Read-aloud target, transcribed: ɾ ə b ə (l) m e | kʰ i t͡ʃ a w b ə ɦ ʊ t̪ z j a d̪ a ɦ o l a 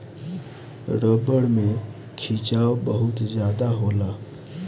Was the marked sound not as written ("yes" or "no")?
yes